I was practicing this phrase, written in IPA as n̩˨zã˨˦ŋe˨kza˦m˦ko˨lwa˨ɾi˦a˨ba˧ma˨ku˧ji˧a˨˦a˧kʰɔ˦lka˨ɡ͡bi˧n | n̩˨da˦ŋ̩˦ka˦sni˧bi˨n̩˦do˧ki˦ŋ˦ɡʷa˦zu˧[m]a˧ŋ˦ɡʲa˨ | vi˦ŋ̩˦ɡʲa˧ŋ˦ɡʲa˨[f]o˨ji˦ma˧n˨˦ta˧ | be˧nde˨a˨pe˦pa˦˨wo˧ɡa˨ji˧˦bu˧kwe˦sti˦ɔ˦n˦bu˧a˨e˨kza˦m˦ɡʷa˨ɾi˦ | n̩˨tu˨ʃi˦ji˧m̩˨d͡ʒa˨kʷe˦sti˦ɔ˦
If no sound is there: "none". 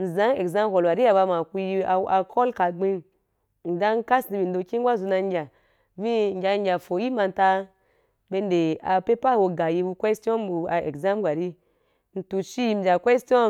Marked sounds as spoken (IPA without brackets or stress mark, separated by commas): n, f